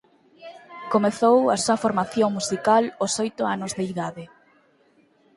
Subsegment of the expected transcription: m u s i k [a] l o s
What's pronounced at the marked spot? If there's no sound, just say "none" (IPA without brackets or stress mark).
a